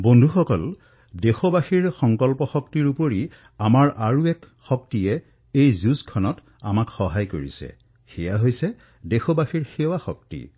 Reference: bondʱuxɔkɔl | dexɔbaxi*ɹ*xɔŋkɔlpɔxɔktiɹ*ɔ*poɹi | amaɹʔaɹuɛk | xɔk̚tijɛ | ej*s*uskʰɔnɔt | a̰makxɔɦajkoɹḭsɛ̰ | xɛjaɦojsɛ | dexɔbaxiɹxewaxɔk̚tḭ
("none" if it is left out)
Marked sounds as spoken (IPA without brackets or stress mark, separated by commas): ɹ, u, z